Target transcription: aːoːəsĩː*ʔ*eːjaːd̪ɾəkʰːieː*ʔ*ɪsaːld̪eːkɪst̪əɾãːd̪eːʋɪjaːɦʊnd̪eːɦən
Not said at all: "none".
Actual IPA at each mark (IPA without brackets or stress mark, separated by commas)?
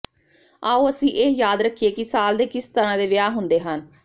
ʔ, k